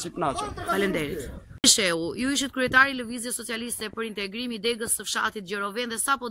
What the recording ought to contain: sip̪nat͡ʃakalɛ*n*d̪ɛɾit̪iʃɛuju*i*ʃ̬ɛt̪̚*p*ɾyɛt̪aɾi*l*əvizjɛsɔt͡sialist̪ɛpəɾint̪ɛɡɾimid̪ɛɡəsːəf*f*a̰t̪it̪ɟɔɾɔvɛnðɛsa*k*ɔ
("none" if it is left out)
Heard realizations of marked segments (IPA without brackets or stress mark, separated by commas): n, i, k, l, ʃ, p